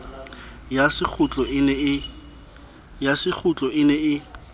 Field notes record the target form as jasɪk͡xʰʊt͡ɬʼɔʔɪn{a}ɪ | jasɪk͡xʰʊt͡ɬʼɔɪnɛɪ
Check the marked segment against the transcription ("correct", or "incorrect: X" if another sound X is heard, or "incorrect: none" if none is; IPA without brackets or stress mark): incorrect: ɛ